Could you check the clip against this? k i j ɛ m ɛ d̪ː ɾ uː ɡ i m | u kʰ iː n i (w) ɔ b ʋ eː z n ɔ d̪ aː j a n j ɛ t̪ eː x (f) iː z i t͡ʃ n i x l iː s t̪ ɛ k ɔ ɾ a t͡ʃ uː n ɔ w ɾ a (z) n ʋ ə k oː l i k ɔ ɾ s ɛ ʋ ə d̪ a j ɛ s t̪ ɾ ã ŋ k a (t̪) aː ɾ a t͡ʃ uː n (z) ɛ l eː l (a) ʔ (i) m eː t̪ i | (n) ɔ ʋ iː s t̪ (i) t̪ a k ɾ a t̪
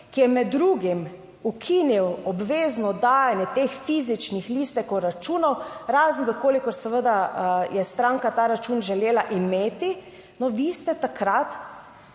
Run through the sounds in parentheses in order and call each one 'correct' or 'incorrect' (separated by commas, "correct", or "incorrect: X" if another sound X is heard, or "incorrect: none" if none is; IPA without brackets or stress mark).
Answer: correct, correct, correct, correct, incorrect: ʒ, correct, correct, correct, incorrect: ɛ